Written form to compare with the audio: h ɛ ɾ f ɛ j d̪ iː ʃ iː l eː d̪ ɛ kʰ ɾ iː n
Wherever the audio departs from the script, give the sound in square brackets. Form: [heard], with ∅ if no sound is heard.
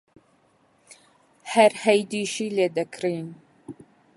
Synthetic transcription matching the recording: h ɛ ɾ [h] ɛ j d̪ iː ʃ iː l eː d̪ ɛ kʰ ɾ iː n